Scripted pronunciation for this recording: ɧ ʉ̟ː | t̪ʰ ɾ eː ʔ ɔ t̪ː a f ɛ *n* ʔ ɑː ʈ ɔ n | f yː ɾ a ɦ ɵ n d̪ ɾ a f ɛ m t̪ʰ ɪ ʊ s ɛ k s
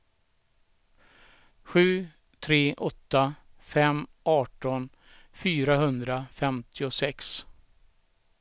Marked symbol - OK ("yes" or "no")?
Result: no